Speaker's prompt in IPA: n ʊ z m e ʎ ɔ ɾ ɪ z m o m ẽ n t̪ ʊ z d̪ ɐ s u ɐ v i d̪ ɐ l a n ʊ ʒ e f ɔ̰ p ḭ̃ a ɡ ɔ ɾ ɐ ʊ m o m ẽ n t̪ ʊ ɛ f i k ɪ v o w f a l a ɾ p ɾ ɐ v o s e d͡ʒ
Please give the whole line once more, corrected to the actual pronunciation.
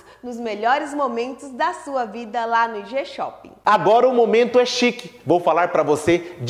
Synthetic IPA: n ʊ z m e ʎ ɔ ɾ ɪ z m o m ẽ n t̪ ʊ z d̪ ɐ s u ɐ v i d̪ ɐ l a n ʊ ʒ e ʃ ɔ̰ p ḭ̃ a ɡ ɔ ɾ ɐ ʊ m o m ẽ n t̪ ʊ ɛ ʃ i k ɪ v o w f a l a ɾ p ɾ ɐ v o s e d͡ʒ

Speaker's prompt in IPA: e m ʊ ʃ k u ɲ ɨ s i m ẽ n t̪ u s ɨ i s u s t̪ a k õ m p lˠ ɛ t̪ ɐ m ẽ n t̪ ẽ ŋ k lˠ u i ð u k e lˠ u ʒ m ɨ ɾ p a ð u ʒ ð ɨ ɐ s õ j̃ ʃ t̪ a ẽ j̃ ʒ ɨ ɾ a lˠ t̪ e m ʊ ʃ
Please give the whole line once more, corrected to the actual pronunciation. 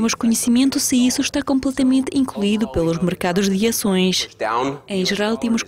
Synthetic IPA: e m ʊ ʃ k u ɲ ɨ s i m ẽ n t̪ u s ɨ i s u ʃ t̪ a k õ m p lˠ ɛ t̪ ɐ m ẽ n t̪ ĩ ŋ k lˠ u i ð u p e lˠ u ʒ m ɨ ɾ k a ð u ʒ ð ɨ ɐ s õ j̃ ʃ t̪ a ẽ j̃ ʒ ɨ ɾ a lˠ t̪ e m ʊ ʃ

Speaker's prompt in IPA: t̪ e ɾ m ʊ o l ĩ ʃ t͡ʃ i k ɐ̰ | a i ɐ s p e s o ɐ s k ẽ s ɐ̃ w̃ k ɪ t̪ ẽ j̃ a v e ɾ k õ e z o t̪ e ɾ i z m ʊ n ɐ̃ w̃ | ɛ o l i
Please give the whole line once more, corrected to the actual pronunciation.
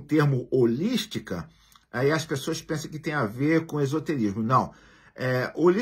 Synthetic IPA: t̪ e ɾ m ʊ o l i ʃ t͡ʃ i k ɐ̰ | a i ɐ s p e s o ɐ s p ẽ s ɐ̃ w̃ k ɪ t̪ ẽ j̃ a v e ɾ k õ e z o t̪ e ɾ i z m ʊ n ɐ̃ w̃ | ɛ o l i

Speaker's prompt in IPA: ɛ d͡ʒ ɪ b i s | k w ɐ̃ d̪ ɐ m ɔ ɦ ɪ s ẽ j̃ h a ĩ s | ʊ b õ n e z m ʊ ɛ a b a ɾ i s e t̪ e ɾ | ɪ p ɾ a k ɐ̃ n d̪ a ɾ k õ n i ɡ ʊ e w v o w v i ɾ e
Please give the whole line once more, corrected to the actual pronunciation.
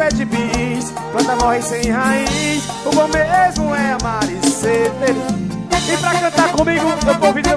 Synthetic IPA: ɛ d͡ʒ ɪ b i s | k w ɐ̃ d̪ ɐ m ɔ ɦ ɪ s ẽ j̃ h a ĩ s | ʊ b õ m e z m ʊ ɛ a m a ɾ i s e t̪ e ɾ | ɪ p ɾ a k ɐ̃ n t̪ a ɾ k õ m i ɡ ʊ e w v o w v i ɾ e

